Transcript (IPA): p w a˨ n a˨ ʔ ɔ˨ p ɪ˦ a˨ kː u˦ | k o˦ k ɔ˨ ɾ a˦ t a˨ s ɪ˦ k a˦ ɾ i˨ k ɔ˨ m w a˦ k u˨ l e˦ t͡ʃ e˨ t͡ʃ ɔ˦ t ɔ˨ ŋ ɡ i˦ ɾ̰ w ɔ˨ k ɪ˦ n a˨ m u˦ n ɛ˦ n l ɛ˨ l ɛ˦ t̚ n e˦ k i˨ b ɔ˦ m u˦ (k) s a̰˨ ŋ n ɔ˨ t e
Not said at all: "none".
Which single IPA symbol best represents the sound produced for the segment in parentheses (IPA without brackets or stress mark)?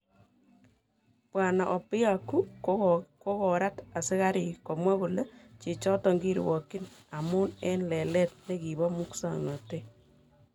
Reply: k